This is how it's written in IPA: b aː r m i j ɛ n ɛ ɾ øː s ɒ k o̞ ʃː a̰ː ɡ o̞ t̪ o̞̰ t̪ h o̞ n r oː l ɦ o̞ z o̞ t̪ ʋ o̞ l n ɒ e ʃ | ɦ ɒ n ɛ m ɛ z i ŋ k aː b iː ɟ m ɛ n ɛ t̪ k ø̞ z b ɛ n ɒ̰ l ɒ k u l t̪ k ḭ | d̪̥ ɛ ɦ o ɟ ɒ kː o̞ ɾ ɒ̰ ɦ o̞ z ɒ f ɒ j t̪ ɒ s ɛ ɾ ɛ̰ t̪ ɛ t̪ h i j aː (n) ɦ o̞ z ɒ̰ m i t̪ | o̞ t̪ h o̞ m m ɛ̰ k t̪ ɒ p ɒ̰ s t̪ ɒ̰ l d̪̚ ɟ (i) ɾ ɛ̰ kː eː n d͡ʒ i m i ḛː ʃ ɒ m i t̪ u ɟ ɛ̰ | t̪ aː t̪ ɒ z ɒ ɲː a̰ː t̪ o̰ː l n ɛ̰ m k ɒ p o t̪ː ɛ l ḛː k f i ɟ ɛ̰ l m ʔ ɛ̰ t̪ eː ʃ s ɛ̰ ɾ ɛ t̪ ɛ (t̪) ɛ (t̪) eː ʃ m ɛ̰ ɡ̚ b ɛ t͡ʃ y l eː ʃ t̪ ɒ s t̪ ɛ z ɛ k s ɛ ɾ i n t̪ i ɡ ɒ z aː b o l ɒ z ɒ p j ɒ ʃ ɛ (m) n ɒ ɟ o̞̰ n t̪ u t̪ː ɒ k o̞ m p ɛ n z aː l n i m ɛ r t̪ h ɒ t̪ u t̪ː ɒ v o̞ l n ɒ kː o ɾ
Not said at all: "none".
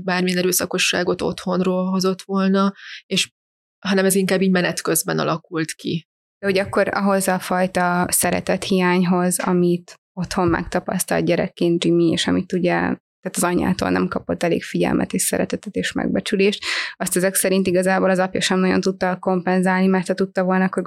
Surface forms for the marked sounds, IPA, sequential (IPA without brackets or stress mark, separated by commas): ɲ, ɛ, t̪, t̪, m